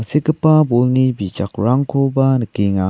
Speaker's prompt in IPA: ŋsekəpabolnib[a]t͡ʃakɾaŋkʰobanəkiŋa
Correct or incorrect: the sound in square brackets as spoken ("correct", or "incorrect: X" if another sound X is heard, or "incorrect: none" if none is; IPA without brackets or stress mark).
incorrect: i